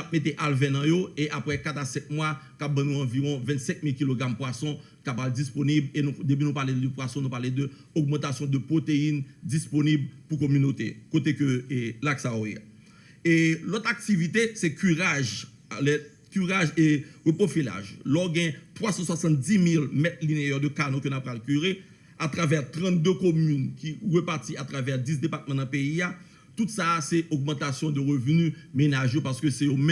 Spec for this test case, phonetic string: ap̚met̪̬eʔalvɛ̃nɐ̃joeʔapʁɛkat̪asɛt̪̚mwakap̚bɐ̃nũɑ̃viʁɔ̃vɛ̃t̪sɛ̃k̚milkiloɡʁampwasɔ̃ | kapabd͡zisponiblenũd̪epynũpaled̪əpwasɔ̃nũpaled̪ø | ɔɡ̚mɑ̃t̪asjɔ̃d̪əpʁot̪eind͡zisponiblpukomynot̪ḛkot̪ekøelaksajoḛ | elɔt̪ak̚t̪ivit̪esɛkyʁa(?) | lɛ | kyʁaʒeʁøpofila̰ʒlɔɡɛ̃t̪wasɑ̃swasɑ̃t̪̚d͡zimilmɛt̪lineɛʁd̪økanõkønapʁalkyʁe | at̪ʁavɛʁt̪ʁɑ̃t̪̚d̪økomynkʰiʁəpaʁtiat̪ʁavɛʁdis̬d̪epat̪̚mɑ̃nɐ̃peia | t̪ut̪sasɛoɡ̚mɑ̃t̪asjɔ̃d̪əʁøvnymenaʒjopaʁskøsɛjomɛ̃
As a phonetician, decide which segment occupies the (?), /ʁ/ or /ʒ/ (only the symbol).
ʒ